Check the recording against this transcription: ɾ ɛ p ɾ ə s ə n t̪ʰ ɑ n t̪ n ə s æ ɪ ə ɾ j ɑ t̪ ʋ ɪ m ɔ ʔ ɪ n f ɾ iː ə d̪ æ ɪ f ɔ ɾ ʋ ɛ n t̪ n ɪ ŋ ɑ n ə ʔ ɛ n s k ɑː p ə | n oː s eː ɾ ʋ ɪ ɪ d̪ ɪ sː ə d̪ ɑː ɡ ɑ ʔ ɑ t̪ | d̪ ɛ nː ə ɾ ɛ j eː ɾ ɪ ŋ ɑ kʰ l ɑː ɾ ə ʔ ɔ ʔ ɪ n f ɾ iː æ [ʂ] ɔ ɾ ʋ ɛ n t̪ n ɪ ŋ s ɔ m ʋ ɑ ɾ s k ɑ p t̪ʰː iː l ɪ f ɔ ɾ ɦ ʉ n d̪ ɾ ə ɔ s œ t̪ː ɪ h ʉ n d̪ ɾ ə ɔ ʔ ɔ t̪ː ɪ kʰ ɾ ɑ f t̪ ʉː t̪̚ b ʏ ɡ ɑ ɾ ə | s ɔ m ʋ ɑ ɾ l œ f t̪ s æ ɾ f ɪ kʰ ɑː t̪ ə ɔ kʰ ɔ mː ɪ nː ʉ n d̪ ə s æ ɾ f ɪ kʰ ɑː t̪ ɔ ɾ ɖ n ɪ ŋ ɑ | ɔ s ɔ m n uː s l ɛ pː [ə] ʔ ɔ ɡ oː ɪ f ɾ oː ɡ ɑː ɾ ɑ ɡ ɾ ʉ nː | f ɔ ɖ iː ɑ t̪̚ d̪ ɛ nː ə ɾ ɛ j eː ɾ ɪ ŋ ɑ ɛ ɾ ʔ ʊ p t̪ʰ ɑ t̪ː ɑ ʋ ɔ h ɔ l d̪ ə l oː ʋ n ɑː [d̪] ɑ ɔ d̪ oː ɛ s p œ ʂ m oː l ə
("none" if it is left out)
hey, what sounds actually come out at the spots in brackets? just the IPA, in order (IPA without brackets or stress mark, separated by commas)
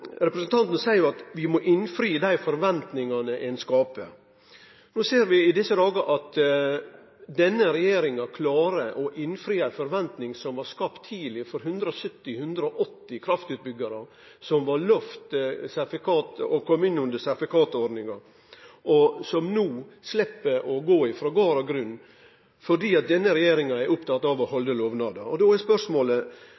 f, ə, d̪